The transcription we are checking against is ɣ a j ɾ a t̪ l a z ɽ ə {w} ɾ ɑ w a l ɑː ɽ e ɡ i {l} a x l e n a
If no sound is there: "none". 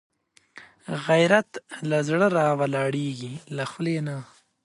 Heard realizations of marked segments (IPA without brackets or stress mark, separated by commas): none, l